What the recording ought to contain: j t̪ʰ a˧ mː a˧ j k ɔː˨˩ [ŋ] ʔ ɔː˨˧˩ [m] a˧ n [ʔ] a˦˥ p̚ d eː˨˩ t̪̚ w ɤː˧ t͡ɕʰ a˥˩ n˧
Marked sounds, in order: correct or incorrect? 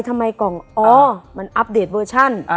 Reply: correct, correct, correct

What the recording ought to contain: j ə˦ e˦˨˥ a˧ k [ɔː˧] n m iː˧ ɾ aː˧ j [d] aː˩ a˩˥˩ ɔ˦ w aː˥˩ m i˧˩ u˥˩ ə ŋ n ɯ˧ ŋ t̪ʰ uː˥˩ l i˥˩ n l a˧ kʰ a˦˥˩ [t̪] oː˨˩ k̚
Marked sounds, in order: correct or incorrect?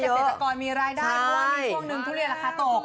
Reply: correct, correct, correct

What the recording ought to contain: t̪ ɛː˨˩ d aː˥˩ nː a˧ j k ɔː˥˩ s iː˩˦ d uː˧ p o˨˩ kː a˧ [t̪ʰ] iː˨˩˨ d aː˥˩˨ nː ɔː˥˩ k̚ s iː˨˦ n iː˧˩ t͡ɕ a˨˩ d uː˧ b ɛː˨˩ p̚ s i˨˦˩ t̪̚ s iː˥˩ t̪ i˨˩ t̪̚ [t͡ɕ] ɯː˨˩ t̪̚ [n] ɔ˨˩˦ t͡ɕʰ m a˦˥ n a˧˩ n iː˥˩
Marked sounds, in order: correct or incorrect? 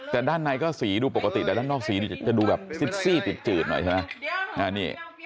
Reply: incorrect: t̪, correct, correct

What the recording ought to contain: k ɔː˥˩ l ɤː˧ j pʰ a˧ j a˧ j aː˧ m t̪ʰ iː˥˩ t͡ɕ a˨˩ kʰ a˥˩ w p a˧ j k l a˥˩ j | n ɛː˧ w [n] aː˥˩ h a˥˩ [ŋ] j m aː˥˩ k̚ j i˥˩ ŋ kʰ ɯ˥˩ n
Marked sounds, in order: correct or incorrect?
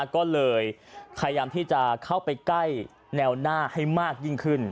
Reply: correct, incorrect: none

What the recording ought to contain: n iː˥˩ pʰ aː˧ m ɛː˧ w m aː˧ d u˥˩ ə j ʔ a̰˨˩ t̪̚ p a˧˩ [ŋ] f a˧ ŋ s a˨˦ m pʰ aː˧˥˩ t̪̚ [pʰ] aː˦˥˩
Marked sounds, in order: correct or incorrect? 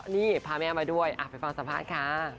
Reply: incorrect: none, incorrect: kʰ

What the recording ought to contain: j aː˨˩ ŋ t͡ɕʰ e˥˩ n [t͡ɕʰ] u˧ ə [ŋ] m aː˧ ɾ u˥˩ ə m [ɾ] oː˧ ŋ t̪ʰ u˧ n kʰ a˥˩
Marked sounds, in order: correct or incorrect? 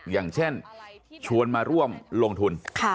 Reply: correct, incorrect: n, incorrect: l

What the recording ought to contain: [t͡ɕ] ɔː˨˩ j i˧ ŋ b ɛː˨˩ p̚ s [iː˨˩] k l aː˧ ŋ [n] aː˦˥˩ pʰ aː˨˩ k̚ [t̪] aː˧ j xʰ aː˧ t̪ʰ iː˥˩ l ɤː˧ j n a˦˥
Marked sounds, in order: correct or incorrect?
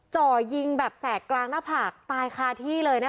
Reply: correct, incorrect: ɛː˨˩, correct, correct

